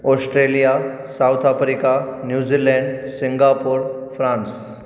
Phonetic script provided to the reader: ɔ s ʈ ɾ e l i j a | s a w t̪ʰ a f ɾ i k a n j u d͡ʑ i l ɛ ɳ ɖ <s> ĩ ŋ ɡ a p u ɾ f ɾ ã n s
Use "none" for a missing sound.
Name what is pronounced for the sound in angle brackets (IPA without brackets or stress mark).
s